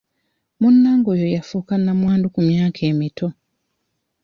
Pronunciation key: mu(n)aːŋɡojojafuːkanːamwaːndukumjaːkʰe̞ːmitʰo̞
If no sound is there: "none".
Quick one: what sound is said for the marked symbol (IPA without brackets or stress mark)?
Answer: nː